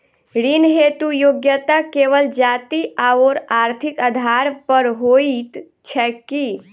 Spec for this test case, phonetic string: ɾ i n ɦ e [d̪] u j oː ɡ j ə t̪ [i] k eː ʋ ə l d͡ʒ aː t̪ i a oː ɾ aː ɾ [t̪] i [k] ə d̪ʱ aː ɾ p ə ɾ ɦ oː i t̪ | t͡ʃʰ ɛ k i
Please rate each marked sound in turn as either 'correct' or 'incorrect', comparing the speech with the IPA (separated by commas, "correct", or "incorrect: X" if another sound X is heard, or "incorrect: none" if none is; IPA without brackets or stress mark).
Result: incorrect: t̪, incorrect: a, incorrect: t̪ʰ, correct